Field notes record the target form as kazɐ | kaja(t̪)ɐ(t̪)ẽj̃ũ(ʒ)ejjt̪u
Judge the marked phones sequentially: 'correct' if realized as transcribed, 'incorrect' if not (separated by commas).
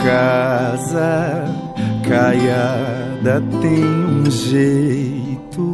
incorrect, correct, correct